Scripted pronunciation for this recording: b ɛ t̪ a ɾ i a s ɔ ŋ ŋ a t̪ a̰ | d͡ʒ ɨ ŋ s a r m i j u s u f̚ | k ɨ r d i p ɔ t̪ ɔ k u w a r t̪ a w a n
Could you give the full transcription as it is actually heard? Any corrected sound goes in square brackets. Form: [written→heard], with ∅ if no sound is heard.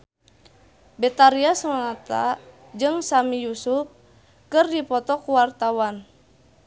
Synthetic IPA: b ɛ t̪ a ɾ i a s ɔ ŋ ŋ a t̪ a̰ | d͡ʒ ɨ ŋ s a [r→∅] m i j u s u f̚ | k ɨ r d i p ɔ t̪ ɔ k u w a r t̪ a w a n

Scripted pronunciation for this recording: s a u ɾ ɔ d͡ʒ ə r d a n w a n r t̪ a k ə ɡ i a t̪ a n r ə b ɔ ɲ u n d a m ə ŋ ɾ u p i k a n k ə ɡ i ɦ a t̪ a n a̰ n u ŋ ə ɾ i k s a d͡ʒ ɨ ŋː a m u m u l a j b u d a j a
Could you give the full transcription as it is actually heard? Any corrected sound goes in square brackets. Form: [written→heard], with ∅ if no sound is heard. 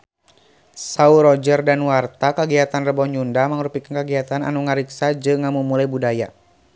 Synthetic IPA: s a u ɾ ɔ d͡ʒ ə r d a n w a [n→∅] r t̪ a k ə ɡ i a t̪ a n r ə b ɔ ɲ u n d a m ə ŋ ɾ u p i k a n k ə ɡ i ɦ a t̪ a n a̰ n u ŋ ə ɾ i k s a d͡ʒ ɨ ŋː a m u m u l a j b u d a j a

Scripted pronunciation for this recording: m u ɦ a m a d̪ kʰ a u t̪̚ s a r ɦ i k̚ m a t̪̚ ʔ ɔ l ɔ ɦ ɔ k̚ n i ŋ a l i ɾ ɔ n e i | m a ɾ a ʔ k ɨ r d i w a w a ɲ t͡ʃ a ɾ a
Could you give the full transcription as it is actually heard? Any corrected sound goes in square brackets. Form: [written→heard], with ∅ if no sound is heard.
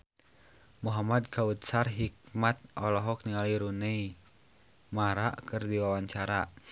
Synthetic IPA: m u ɦ a m a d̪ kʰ a u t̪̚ s a r ɦ i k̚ m a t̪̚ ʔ ɔ l ɔ ɦ ɔ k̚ n i ŋ a l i ɾ [ɔ→u] n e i | m a ɾ a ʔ k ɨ r d i w a w a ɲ t͡ʃ a ɾ a

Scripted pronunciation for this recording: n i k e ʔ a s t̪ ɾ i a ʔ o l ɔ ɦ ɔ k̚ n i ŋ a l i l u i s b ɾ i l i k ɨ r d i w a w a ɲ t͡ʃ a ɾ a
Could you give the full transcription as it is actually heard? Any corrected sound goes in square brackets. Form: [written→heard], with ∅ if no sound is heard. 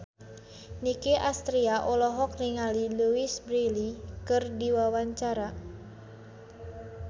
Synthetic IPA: n i k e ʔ a s t̪ ɾ i a ʔ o l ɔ ɦ ɔ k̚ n i ŋ a l i l u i s b ɾ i l i k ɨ r d i w a w a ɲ t͡ʃ a ɾ a

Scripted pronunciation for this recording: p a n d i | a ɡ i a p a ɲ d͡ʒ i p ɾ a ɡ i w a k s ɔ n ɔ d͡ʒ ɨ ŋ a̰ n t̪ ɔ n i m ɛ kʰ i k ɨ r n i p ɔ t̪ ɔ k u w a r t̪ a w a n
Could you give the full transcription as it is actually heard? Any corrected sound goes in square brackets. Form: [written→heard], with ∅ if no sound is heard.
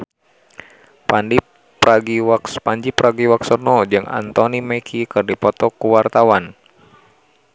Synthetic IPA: p a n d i | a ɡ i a p a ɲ d͡ʒ i p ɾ a ɡ i w a k s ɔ n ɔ d͡ʒ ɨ ŋ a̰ n t̪ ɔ n i m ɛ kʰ i k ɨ r [n→d] i p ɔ t̪ ɔ k u w a r t̪ a w a n

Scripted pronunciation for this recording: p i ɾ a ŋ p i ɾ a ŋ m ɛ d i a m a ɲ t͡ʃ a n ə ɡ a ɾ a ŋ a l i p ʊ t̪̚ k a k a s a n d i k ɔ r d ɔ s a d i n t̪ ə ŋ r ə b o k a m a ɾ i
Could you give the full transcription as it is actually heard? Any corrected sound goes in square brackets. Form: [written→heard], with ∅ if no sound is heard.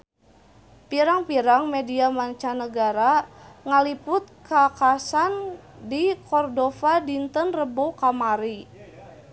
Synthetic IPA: p i ɾ a ŋ p i ɾ a ŋ m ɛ d i a m a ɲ t͡ʃ a n ə ɡ a ɾ a ŋ a l i p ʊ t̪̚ k a k a s a n d i k ɔ r d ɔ [s→f] a d i n t̪ ə [ŋ→n] r ə b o k a m a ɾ i

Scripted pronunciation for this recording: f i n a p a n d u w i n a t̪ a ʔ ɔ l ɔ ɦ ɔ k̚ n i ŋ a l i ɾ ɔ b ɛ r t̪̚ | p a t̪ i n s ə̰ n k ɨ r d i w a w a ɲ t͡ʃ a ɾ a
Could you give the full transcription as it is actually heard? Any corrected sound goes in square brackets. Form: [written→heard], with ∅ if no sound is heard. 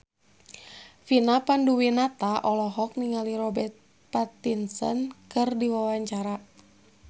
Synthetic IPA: f i n a p a n d u w i n a t̪ a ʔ ɔ l ɔ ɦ ɔ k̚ n i ŋ a l i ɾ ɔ b ɛ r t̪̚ | p a t̪ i n s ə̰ n k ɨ r d i w a w a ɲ t͡ʃ a ɾ a

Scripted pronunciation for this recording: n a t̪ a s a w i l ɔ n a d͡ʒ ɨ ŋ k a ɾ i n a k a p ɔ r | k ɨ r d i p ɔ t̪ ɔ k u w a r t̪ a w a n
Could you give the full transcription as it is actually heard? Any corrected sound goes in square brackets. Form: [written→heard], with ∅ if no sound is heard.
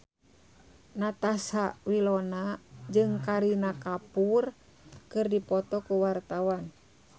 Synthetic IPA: n a t̪ a s a w i l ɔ n a d͡ʒ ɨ ŋ k a ɾ i n a k a p [ɔ→u] r | k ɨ r d i p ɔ t̪ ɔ k u w a r t̪ a w a n

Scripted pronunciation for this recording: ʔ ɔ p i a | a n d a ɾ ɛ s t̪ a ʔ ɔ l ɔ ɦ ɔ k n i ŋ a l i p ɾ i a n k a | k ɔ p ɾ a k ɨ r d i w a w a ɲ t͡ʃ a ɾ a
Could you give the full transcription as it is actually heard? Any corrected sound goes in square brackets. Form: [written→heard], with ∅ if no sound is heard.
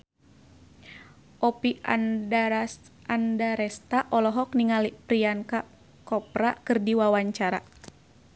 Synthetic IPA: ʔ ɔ p i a | a n d a ɾ ɛ s t̪ a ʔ ɔ l ɔ ɦ ɔ k n i ŋ a l i p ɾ i a n k a | k ɔ p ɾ a k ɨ r d i w a w a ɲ t͡ʃ a ɾ a

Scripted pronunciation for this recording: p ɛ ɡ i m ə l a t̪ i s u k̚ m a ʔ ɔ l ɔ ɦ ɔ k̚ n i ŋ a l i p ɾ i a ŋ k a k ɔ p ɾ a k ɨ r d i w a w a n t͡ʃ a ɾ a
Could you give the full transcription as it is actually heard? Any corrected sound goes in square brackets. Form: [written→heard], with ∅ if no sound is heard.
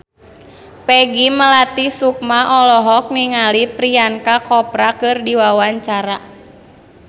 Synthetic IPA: p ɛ ɡ i m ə l a t̪ i s u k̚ m a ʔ ɔ l ɔ ɦ ɔ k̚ n i ŋ a l i p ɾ i a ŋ k a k ɔ p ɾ a k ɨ r d i w a w a [n→ɲ] t͡ʃ a ɾ a

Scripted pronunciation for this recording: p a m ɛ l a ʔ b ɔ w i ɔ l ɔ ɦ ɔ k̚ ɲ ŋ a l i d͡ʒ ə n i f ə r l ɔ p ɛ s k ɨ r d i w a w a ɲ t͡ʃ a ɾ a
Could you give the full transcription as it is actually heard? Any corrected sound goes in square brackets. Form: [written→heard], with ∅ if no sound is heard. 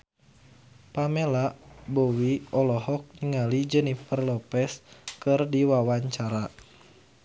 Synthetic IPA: p a m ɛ l a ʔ b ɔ w i ɔ l ɔ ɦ ɔ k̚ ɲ ŋ a l i d͡ʒ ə n i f ə r l ɔ p ɛ s k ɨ r d i w a w a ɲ t͡ʃ a ɾ a

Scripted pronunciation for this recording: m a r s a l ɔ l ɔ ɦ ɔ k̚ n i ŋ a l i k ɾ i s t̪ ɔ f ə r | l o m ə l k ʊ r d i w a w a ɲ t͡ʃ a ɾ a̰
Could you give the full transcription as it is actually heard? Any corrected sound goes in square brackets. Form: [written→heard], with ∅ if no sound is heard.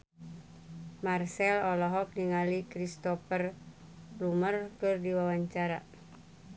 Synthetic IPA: m a r s [a→ɛ] l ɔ l ɔ ɦ ɔ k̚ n i ŋ a l i k ɾ i s t̪ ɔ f ə r | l [o→u] m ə [l→r] k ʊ r d i w a w a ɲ t͡ʃ a ɾ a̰

